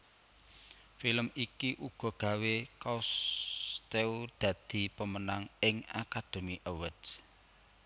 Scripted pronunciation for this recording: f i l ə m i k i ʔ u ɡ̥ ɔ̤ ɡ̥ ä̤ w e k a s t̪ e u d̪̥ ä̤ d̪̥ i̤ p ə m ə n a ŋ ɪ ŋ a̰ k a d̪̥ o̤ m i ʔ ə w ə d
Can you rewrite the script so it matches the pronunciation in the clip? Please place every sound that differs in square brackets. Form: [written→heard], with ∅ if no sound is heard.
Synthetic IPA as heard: f i l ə m i k i ʔ u ɡ̥ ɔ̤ ɡ̥ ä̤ w e k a s t̪ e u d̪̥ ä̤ d̪̥ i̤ p ə m ə n a ŋ ɪ ŋ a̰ k a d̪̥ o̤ m i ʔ ə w ə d